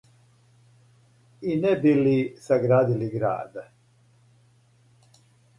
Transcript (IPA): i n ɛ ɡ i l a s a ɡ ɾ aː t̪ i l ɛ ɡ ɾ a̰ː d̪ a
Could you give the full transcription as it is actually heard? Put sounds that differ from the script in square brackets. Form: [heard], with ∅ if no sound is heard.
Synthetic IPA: i n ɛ [b] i l [i] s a ɡ ɾ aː [d̪] i l [i] ɡ ɾ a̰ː d̪ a